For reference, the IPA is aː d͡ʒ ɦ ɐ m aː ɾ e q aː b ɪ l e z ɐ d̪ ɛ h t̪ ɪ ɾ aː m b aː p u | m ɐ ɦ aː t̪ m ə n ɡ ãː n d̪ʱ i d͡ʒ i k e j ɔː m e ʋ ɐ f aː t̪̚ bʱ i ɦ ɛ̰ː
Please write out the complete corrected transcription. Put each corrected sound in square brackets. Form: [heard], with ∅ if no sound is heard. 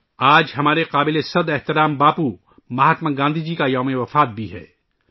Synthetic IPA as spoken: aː d͡ʒ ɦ ɐ m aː ɾ e q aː b ɪ l e [s] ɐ d̪ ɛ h t̪ ɪ ɾ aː m b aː p u | m ɐ ɦ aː t̪ m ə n ɡ ãː n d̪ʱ i d͡ʒ i k [a] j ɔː m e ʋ ɐ f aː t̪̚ bʱ i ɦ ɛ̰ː